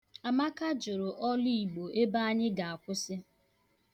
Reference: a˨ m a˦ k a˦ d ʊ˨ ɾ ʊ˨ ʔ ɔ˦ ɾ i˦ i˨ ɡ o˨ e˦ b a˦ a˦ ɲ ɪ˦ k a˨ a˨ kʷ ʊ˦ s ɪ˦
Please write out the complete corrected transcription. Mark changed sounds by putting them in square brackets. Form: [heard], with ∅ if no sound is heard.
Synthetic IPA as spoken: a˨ m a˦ k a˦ [d͡ʒ] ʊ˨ ɾ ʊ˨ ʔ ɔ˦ [l] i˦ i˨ [ɡ͡b] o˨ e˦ b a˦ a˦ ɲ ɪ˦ [ɡ] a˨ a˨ kʷ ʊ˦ s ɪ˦